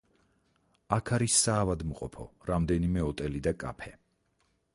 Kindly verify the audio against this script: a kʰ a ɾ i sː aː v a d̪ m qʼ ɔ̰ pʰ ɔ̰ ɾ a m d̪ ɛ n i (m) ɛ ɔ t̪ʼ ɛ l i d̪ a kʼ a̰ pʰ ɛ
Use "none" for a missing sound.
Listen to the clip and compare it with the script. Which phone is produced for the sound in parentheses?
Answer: m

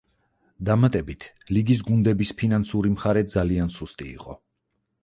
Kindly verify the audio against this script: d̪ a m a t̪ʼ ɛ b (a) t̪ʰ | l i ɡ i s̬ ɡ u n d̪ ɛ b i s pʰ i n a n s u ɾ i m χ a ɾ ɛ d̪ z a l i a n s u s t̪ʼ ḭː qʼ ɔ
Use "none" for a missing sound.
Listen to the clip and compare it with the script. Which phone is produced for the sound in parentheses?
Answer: i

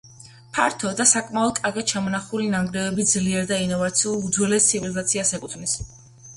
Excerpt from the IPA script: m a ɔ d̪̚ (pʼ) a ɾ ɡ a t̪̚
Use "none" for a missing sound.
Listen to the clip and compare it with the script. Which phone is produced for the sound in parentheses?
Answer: kʼ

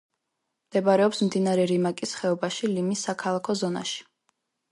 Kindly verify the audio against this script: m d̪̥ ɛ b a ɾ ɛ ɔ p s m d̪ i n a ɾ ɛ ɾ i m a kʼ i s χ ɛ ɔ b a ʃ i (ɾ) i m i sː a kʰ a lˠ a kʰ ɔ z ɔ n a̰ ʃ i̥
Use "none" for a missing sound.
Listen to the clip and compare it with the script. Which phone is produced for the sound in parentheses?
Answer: l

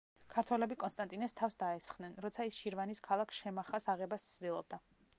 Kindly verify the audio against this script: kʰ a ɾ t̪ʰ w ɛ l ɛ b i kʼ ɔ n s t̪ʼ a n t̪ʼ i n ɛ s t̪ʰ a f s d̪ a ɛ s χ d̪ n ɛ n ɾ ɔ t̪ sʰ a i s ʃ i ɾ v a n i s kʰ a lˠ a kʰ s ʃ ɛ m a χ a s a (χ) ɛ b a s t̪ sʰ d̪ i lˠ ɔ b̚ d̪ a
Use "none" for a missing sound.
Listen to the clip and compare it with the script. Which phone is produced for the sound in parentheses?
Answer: ʁ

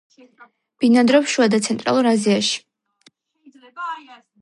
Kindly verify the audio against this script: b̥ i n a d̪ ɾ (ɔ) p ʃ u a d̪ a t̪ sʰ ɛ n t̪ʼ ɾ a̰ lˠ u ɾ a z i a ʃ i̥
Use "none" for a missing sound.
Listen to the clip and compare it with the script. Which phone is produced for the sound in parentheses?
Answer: ɔ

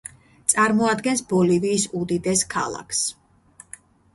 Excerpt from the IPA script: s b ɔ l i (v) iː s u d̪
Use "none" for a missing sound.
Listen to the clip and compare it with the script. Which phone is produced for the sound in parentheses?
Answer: v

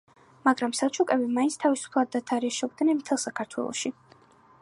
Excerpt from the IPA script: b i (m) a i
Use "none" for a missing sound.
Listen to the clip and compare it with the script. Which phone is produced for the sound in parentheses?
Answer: m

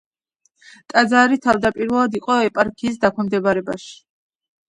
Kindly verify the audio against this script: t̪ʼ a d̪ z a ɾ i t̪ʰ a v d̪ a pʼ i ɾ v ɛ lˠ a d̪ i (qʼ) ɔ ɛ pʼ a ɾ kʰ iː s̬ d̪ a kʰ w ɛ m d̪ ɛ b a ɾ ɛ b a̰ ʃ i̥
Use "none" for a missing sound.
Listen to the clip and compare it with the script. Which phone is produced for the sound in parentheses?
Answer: qʼ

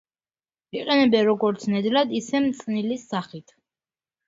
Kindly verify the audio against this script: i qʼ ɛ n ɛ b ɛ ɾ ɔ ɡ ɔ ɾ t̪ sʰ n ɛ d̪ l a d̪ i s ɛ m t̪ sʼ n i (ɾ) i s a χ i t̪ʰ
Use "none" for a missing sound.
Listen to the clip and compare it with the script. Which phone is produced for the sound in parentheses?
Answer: l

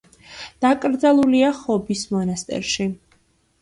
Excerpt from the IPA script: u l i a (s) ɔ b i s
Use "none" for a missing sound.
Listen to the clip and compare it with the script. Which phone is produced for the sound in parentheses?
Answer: χ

